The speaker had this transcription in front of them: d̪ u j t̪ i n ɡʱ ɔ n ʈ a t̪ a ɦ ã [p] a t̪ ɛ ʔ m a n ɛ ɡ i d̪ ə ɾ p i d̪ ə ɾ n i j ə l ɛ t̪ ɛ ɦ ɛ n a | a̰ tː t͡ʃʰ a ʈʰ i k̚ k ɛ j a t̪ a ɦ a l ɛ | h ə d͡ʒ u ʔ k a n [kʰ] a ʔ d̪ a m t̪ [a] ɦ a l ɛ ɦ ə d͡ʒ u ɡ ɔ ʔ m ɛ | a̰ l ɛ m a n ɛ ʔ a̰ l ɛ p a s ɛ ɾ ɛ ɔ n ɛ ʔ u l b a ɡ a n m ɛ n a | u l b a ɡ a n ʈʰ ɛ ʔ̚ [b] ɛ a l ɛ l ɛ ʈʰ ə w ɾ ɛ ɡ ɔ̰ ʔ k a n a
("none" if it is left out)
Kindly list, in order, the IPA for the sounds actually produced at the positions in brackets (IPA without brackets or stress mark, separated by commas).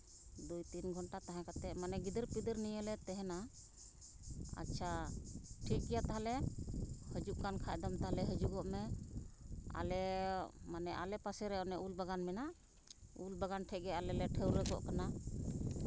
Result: k, kʰ, a, ɡ